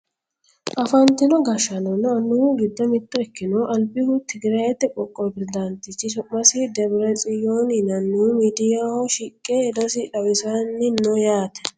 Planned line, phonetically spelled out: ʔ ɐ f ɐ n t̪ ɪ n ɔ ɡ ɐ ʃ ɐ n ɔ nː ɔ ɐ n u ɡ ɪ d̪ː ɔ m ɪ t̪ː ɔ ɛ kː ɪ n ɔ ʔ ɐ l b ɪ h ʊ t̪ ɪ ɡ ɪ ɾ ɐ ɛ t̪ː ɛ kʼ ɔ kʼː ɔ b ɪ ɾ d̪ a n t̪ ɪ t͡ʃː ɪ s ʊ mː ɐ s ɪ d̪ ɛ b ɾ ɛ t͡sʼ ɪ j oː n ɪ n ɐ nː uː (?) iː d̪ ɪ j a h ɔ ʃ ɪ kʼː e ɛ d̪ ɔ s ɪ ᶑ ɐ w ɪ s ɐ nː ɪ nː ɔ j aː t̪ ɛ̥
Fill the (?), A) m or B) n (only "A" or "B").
A